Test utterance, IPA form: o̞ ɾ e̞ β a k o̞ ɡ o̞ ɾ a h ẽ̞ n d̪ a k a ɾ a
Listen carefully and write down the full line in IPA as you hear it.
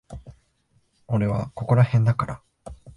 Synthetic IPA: o̞ ɾ e̞ β a k o̞ k o̞ ɾ a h ẽ̞ n d̪ a k a ɾ a